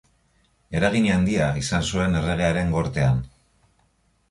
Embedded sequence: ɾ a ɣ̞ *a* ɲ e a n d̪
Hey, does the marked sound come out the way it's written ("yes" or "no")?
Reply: no